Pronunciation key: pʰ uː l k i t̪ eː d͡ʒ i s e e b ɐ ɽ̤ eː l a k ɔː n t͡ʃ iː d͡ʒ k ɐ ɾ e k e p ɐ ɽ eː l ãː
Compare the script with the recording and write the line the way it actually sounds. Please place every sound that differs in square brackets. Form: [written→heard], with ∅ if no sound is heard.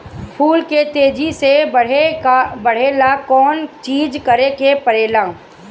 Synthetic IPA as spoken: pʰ uː l k [i→e] t̪ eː d͡ʒ i s e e b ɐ ɽ̤ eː l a k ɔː n t͡ʃ iː d͡ʒ k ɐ ɾ e k e p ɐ [ɽ→ɾ] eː l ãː